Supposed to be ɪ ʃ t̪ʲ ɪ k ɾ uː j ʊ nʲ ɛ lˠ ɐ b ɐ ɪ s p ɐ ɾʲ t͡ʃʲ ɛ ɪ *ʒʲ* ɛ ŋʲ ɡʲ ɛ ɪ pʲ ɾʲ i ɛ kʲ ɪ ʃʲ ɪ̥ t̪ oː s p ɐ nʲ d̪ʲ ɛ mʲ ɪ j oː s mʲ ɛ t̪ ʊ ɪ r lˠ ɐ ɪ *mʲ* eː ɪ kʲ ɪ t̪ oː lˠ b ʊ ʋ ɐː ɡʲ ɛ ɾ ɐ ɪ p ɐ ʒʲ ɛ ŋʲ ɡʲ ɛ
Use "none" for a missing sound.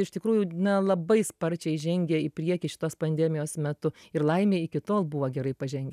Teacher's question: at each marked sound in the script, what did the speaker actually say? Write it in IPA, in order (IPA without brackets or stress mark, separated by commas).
ʒʲ, mʲ